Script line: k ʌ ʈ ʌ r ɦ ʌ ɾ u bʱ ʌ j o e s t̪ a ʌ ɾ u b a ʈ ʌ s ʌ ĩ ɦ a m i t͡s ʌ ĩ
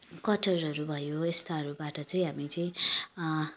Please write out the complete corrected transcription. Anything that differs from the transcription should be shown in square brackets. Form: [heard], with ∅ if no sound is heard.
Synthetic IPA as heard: k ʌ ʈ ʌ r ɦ ʌ ɾ u bʱ ʌ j o e s t̪ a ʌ ɾ u b a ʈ ʌ [t͡s] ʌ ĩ ɦ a m i t͡s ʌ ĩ